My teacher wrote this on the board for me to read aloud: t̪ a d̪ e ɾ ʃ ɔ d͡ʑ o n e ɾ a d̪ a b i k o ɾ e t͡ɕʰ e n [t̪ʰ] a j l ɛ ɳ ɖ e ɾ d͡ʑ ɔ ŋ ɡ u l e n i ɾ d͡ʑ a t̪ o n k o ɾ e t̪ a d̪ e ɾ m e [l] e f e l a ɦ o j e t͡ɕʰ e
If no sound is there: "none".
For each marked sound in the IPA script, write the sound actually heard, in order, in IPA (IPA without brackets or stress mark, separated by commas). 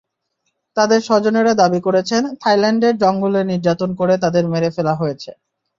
t̪ʰ, ɾ